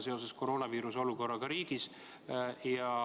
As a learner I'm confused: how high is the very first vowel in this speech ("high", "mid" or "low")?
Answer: mid